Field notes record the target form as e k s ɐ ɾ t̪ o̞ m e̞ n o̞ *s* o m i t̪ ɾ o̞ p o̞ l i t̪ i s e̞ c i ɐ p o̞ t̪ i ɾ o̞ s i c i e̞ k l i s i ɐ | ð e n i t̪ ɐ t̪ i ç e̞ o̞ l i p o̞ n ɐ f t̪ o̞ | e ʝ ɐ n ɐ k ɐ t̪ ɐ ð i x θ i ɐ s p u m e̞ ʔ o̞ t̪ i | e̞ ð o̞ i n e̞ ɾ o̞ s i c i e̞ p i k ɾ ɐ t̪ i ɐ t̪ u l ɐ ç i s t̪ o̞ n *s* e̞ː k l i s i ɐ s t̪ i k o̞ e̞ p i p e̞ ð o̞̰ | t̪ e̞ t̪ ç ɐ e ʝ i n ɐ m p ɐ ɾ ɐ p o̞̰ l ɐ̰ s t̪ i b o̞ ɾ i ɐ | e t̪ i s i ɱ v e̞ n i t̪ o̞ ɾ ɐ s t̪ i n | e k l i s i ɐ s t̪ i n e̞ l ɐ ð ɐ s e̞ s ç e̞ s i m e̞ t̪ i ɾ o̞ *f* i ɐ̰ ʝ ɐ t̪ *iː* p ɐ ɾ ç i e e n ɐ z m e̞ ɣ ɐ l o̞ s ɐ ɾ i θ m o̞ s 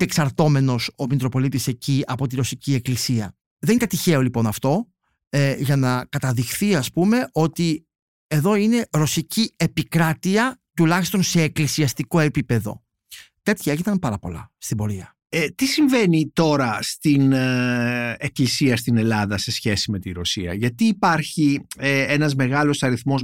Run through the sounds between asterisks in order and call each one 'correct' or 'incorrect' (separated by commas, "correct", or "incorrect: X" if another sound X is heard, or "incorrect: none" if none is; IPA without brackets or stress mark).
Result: correct, correct, incorrect: s, correct